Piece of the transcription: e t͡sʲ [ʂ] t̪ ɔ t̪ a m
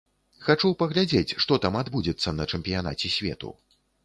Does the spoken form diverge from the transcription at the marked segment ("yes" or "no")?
no